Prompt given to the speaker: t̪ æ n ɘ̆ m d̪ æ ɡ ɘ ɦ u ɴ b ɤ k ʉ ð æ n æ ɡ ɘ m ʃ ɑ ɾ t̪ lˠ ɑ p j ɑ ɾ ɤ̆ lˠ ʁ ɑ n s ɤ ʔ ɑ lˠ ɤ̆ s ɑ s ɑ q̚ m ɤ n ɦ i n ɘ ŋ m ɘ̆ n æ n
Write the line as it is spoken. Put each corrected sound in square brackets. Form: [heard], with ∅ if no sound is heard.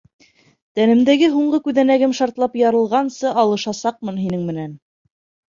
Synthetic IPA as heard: t̪ æ n ɘ̆ m d̪ æ ɡ ɘ ɦ u ɴ [ɢ] ɤ k ʉ ð æ n æ ɡ ɘ m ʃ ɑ ɾ t̪ lˠ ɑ p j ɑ ɾ ɤ̆ lˠ ʁ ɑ n s ɤ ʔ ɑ lˠ ɤ̆ [ʃ] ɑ s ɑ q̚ m ɤ n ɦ i n ɘ ŋ m ɘ̆ n æ n

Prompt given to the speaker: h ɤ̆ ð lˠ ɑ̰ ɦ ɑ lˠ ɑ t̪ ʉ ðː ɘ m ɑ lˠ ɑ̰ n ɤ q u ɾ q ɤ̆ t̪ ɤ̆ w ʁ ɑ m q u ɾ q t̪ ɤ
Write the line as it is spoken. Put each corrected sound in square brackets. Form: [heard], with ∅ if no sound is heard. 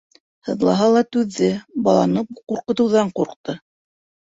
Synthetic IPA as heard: h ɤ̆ ð lˠ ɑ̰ ɦ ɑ lˠ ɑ t̪ ʉ ðː ɘ [b] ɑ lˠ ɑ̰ n ɤ q u ɾ q ɤ̆ t̪ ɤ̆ w [ð] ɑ [ɴ] q u ɾ q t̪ ɤ

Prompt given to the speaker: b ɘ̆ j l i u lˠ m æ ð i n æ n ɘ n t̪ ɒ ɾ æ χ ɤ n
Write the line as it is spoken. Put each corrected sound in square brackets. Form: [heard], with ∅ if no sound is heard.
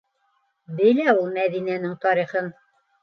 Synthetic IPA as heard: b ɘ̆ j l [æ] u lˠ m æ ð i n æ n ɘ [ŋ] t̪ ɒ ɾ [i] χ ɤ n

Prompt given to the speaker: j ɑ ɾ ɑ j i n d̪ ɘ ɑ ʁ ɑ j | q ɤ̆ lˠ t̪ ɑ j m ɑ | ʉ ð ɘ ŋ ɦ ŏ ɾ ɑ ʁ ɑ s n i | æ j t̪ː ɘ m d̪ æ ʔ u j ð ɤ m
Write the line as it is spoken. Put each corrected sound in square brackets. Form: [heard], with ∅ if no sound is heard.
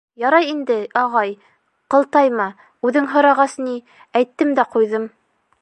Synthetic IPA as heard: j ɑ ɾ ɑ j i n d̪ ɘ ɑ ʁ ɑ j | q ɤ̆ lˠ t̪ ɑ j m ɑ | ʉ ð ɘ ŋ ɦ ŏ ɾ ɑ ʁ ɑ s n i | æ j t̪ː ɘ m d̪ æ [q] u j ð ɤ m

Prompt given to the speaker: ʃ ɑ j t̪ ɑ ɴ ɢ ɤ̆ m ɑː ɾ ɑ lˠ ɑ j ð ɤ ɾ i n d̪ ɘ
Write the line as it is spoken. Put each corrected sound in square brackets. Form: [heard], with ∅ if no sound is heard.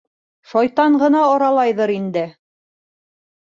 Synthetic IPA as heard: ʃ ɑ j t̪ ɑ ɴ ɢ ɤ̆ [n] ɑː ɾ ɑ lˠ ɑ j ð ɤ ɾ i n d̪ ɘ

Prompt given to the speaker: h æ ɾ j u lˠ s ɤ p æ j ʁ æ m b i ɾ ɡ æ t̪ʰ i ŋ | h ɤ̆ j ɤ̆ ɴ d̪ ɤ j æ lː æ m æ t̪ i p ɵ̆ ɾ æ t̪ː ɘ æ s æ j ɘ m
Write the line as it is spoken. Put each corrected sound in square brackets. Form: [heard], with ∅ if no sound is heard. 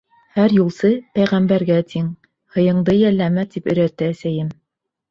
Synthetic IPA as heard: h æ ɾ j u lˠ s ɤ p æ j ʁ æ m b [æ] ɾ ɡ æ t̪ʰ i ŋ | h ɤ̆ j ɤ̆ ɴ d̪ ɤ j æ lː æ m æ t̪ i p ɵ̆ ɾ æ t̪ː ɘ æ s æ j ɘ m

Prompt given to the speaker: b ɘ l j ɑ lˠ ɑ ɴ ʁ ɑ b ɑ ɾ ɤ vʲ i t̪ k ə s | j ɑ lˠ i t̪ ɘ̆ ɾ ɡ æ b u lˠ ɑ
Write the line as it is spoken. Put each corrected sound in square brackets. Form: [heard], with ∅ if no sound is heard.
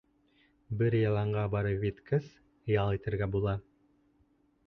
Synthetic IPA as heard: b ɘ [ɾ] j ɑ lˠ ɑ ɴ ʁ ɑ b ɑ ɾ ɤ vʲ i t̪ k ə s | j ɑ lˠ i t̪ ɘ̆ ɾ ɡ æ b u lˠ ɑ

